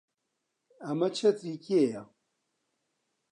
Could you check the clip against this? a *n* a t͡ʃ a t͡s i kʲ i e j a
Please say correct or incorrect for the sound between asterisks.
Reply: incorrect: m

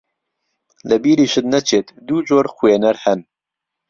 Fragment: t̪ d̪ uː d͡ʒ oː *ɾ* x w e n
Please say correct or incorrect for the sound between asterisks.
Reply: correct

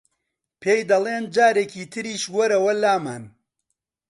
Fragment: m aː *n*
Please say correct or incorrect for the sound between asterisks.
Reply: correct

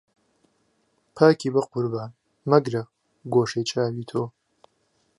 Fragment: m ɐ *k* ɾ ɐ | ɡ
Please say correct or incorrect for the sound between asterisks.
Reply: incorrect: ɡ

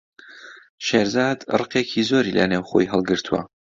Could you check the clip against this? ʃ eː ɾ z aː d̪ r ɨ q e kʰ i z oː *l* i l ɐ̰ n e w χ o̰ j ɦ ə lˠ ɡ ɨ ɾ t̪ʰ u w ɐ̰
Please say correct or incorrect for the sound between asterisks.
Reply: incorrect: ɾ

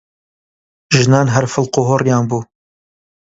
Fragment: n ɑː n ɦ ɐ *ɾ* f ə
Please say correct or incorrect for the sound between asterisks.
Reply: correct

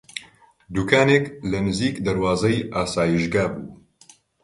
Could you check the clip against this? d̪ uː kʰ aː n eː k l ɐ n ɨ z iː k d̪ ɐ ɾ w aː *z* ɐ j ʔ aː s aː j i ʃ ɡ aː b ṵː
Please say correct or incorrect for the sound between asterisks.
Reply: correct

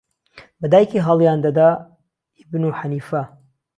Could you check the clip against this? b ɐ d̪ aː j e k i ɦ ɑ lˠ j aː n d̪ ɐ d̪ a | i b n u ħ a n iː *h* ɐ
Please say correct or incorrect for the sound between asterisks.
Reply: incorrect: f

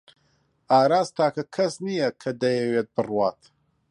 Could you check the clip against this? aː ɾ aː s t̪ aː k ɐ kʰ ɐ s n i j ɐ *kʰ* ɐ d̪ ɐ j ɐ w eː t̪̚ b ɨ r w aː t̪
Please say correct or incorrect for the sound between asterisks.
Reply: correct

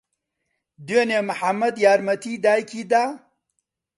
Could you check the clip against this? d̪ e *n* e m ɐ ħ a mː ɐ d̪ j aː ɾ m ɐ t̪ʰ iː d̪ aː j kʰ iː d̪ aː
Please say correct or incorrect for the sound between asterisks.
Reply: correct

